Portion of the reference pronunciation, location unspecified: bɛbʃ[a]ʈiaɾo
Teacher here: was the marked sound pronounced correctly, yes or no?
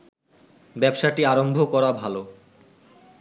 yes